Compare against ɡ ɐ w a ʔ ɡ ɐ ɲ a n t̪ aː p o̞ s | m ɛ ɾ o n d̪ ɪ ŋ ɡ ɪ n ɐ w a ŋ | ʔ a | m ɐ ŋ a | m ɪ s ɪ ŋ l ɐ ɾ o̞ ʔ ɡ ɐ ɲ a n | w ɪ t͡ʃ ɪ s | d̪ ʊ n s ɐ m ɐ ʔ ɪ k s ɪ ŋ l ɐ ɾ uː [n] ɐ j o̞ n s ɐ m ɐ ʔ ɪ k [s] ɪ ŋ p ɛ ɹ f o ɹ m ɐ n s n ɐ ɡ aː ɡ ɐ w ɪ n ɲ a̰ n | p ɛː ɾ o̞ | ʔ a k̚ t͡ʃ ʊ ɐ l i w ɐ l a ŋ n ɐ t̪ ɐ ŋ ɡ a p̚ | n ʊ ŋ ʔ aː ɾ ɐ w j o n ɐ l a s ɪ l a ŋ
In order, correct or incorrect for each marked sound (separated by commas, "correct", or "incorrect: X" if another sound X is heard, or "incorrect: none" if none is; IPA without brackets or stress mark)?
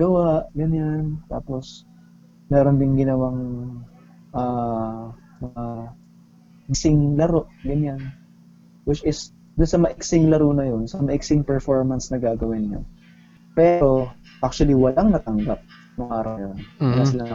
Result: correct, correct